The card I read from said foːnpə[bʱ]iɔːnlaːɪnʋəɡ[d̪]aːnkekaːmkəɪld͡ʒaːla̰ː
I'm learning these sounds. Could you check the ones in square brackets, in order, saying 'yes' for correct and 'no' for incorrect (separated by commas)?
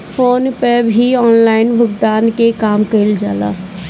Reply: yes, yes